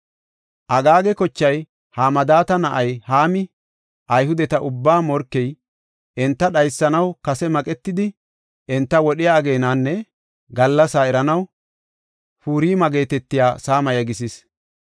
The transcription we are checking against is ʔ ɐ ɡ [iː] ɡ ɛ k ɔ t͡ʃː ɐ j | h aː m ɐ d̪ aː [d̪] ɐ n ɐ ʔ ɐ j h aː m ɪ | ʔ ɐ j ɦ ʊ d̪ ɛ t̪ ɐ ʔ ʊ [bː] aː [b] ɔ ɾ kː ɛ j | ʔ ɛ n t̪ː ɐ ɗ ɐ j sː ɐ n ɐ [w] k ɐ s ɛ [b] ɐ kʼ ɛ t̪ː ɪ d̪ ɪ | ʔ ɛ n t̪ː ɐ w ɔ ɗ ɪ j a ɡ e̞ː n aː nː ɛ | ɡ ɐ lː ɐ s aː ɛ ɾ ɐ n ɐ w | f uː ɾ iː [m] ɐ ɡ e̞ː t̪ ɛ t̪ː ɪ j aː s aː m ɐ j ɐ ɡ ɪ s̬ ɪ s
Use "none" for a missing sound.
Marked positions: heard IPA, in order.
aː, t̪, bː, m, w, m, m

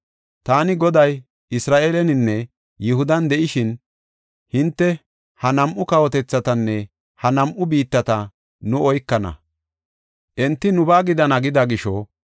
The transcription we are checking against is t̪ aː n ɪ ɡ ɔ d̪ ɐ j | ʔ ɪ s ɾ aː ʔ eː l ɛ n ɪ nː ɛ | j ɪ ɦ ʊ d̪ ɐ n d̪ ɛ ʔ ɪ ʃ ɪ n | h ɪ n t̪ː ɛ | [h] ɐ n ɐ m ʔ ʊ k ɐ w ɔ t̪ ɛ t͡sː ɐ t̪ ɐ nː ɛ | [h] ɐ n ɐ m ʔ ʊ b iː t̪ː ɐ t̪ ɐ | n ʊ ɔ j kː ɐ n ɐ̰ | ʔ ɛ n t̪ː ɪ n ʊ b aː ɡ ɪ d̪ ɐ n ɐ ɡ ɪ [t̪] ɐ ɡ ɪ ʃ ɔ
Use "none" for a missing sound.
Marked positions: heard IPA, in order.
h, h, d̪

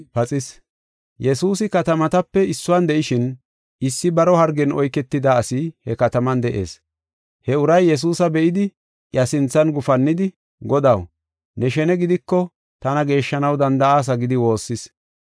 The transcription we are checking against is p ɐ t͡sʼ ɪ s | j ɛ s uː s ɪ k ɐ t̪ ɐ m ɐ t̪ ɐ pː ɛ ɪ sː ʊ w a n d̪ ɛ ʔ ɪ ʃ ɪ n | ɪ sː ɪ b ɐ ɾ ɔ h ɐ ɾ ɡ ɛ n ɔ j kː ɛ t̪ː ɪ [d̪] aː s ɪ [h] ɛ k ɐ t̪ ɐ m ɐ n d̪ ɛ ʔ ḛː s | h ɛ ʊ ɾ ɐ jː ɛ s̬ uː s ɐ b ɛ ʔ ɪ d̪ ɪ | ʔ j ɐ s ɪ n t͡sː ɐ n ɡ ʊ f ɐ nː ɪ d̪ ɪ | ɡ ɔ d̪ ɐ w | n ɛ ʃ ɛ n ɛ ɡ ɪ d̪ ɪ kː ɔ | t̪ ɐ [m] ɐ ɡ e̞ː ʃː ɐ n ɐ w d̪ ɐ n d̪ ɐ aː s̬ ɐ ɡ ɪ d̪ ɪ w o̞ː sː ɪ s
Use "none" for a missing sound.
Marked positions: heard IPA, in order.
d̪, h, n

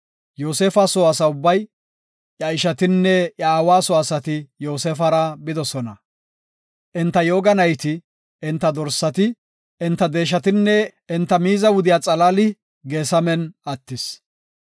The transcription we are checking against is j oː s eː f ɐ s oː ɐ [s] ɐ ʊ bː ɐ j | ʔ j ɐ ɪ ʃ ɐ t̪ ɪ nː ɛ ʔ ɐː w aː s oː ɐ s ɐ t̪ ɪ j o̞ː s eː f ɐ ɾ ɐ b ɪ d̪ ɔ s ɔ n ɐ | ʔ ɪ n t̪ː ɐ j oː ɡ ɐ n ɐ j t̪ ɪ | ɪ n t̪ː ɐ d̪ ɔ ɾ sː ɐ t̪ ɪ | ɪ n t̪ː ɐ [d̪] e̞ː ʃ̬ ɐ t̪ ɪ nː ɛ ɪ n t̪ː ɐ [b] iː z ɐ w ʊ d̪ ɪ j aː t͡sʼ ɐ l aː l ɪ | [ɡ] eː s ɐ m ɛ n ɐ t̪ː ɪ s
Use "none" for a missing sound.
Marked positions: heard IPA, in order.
s, d̪, m, ɡ

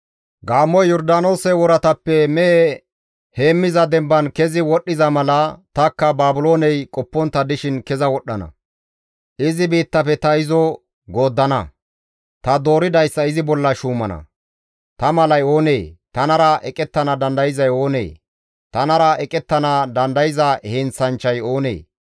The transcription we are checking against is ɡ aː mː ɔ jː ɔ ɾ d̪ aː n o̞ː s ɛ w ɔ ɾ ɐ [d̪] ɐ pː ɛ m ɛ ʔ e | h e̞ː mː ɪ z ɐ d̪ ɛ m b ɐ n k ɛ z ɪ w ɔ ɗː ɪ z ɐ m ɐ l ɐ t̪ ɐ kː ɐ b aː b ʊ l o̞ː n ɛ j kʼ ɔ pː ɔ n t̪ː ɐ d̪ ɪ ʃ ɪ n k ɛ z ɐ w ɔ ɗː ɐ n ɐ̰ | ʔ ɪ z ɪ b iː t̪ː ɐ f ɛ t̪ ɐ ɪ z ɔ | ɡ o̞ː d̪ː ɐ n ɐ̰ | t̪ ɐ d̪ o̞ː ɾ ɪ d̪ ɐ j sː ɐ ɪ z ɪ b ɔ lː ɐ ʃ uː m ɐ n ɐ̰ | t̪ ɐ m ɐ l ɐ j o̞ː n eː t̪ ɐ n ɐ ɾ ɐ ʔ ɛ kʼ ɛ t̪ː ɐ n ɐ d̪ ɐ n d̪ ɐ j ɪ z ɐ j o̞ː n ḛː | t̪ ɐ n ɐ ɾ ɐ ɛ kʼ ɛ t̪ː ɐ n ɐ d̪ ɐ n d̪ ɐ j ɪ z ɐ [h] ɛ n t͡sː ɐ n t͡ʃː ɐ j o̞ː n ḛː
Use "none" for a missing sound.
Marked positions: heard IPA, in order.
t̪, h

